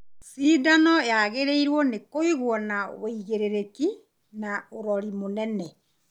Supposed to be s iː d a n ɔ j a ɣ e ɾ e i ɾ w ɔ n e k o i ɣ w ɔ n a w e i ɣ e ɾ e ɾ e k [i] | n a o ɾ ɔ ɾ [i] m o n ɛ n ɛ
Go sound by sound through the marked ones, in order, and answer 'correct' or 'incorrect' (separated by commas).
correct, correct